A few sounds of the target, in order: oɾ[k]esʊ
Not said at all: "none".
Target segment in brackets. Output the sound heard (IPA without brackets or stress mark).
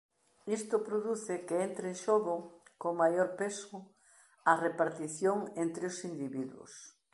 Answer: p